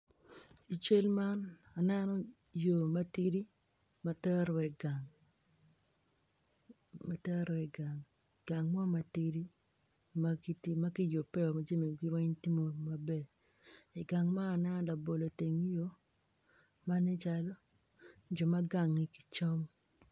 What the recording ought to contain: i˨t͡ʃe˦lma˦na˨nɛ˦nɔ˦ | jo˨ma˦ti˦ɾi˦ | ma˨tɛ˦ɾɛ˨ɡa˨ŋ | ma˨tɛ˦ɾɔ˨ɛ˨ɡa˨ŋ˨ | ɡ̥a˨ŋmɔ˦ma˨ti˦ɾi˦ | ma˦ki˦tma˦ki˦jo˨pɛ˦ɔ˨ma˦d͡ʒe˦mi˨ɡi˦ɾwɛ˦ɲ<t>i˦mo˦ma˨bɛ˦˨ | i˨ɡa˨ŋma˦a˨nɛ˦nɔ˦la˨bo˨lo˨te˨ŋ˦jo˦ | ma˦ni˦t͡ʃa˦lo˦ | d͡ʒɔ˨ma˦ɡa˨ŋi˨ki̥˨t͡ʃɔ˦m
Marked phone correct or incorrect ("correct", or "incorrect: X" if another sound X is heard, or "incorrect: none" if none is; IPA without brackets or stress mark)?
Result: correct